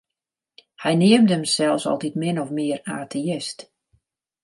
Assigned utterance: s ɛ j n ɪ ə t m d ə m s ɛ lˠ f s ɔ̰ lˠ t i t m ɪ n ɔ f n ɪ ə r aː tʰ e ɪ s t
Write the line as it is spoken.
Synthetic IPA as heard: h ɛ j n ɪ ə m d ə m s ɛ lˠ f s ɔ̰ lˠ t i t m ɪ n ɔ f m ɪ ə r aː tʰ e ɪ s t